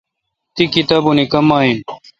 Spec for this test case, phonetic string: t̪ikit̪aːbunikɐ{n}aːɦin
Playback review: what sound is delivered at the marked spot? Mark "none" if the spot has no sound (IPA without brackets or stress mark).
m